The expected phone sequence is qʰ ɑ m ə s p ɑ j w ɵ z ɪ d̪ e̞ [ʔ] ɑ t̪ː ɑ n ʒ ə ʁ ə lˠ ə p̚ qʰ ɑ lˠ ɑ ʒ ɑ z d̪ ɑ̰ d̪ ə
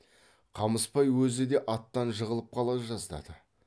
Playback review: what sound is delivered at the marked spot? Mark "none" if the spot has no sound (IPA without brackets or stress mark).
ʔ